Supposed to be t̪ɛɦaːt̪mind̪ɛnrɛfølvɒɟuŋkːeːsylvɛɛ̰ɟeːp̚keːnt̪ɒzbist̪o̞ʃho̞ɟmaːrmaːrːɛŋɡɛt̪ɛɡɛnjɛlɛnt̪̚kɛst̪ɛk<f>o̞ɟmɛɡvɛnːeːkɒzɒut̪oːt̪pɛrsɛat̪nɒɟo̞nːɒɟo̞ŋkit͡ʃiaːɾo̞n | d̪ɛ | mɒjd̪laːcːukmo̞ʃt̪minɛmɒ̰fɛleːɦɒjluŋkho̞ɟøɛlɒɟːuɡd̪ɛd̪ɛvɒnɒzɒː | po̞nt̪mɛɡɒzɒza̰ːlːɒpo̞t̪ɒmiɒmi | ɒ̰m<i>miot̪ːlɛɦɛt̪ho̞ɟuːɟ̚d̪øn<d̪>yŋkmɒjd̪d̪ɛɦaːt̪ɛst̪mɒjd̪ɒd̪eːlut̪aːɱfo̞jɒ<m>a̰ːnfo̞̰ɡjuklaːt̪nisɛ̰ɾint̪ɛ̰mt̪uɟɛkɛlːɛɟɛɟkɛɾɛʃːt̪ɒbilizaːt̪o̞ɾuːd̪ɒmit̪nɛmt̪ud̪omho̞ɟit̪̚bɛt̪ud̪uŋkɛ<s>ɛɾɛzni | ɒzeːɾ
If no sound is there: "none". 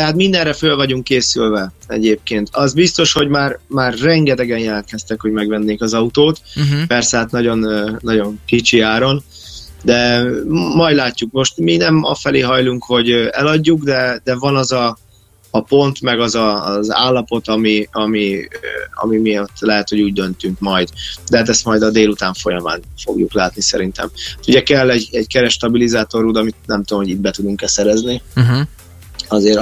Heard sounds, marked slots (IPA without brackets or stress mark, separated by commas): h, i, t̪, m, s